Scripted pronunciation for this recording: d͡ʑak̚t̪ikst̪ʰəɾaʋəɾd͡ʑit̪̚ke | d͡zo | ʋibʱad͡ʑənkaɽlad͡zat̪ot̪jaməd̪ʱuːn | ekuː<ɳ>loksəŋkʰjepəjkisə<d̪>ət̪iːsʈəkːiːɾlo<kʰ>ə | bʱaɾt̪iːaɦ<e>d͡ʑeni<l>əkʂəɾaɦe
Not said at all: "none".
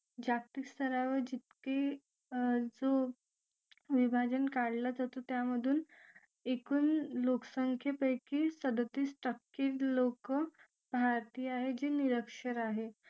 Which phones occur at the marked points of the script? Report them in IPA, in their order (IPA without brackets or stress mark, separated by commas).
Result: n, d̪, k, e, ɾ